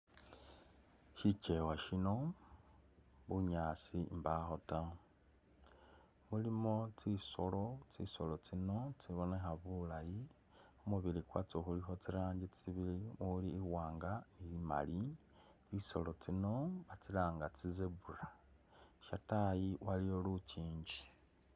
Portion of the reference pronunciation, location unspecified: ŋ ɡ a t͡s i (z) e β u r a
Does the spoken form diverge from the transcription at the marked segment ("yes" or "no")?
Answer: no